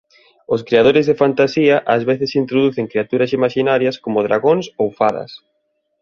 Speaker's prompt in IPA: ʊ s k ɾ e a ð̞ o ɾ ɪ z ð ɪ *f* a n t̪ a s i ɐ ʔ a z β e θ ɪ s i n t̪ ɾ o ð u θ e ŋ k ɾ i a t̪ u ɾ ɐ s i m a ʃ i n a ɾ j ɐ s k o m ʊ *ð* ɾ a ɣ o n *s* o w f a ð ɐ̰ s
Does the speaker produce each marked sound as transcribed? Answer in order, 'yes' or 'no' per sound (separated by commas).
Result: yes, yes, yes